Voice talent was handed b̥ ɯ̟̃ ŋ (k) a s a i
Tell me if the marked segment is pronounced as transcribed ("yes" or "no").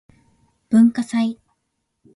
yes